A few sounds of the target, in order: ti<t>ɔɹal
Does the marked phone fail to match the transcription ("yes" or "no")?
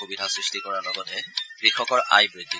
yes